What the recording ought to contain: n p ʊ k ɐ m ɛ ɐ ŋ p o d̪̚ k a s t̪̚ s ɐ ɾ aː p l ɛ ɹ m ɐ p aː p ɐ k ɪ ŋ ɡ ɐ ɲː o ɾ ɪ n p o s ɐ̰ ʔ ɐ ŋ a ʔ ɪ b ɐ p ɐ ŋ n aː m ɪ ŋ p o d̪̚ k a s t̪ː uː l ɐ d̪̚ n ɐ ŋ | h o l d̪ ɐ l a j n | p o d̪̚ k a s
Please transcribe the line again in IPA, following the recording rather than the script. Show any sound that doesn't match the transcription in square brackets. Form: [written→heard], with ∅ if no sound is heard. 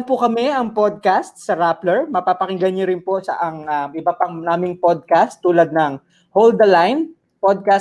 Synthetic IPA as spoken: n p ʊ k ɐ m ɛ ɐ ŋ p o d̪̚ k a s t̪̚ s ɐ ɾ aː p l ɛ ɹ m ɐ p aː p ɐ k ɪ ŋ ɡ ɐ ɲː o ɾ ɪ n p o s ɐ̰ ʔ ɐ ŋ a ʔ ɪ b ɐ p ɐ ŋ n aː m ɪ ŋ p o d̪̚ k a s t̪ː uː l ɐ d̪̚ n ɐ ŋ | h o l d̪ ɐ l a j n | p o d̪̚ k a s